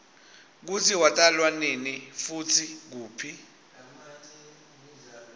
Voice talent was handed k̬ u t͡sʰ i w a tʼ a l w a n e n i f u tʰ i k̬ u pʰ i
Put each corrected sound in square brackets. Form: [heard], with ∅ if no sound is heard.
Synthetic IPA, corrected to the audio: k̬ u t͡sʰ i w a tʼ a l w a n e n i f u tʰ i k̬ [uː] pʰ i